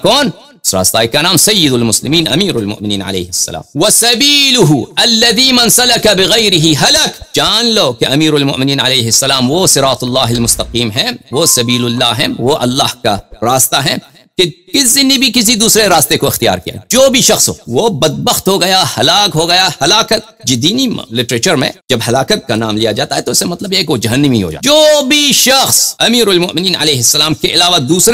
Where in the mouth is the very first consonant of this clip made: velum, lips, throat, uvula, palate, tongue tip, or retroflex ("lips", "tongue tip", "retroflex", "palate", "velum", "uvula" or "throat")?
velum